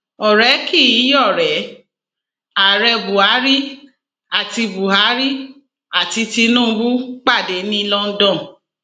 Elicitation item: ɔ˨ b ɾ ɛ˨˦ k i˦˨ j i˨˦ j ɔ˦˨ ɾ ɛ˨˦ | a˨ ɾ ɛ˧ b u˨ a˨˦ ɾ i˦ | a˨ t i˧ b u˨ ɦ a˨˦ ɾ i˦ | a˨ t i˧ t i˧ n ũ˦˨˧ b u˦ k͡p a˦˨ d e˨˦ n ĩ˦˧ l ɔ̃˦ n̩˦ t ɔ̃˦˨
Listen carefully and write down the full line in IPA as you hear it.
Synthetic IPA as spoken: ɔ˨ ɾ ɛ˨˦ k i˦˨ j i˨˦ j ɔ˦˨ ɾ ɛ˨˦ | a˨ ɾ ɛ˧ b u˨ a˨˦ ɾ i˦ | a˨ t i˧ b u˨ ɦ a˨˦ ɾ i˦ | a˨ t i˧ t i˧ n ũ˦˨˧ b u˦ k͡p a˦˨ d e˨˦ n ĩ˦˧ l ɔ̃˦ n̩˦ d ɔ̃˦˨